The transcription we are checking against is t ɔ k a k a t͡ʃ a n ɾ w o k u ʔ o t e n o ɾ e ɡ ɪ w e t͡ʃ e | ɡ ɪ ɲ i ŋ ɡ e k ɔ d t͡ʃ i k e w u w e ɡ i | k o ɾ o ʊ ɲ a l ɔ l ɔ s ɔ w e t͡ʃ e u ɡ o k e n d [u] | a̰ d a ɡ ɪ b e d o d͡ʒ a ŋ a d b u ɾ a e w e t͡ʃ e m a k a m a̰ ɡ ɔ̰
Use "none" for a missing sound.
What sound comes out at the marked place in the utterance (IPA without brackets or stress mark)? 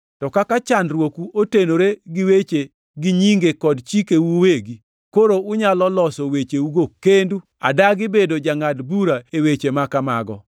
u